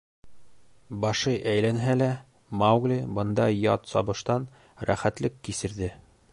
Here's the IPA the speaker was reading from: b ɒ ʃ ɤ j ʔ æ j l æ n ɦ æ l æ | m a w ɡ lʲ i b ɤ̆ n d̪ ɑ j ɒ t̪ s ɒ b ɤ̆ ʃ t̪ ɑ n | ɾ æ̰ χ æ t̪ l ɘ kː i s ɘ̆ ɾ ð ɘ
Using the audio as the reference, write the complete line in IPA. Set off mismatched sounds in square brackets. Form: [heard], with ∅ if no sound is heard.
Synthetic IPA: b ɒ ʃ ɤ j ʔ æ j l æ n ɦ æ l æ | m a w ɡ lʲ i b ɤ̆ n d̪ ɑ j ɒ t̪ s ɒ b ɤ̆ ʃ t̪ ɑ n | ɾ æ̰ χ æ t̪ l ɘ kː i s ɘ̆ ɾ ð ɘ